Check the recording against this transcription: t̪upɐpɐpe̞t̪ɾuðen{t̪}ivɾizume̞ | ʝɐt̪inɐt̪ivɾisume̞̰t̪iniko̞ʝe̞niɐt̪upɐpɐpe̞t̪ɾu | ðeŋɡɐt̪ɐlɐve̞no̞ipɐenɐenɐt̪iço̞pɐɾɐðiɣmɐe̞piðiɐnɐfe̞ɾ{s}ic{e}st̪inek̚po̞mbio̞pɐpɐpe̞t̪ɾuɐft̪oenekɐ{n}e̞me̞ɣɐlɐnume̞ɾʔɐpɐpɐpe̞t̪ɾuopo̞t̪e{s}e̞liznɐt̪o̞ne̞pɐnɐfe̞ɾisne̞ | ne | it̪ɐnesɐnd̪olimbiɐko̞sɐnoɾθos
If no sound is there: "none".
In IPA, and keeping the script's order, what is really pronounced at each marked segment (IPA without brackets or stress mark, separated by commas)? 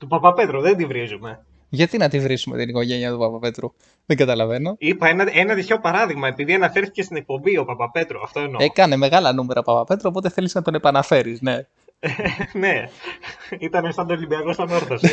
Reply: d̪, θ, e, n, θ